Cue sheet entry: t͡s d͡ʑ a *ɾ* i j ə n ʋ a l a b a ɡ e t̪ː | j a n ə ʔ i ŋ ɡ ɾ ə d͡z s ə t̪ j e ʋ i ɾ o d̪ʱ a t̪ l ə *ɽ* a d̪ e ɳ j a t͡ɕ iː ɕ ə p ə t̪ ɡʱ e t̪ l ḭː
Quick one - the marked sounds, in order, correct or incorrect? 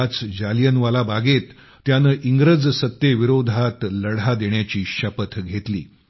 incorrect: l, correct

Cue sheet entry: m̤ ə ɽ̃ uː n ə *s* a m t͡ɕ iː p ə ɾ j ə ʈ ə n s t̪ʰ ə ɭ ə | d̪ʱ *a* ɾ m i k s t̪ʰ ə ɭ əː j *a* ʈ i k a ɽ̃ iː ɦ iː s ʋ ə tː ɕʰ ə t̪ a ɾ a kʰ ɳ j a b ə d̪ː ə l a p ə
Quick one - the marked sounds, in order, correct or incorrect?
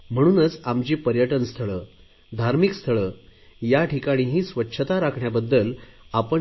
incorrect: t͡s, correct, correct

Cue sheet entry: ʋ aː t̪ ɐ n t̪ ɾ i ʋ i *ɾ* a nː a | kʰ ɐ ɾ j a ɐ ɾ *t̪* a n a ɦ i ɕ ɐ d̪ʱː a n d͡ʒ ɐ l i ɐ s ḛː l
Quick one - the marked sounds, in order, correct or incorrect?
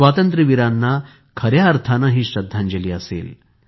correct, incorrect: t̪ʰ

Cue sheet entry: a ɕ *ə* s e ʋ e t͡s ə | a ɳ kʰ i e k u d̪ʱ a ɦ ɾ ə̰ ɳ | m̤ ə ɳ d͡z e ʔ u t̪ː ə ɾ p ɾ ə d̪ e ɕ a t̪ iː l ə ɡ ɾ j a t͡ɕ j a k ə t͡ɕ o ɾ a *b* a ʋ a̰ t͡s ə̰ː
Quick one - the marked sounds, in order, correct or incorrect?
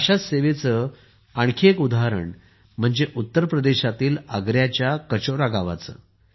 incorrect: a, incorrect: ɡ

